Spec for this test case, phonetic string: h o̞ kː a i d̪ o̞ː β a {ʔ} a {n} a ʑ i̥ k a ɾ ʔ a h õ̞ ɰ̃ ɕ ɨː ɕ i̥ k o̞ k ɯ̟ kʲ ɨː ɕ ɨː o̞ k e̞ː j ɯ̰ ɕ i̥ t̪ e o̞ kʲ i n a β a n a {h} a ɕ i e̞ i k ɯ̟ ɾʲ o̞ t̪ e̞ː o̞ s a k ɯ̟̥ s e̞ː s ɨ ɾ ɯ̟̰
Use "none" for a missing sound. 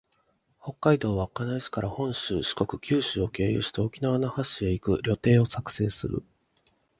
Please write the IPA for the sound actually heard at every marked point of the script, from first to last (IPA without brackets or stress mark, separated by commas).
k, n, h